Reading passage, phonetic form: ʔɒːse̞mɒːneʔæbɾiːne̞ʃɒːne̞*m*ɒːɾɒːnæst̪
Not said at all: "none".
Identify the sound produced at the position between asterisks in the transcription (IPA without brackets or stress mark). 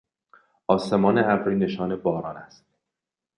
b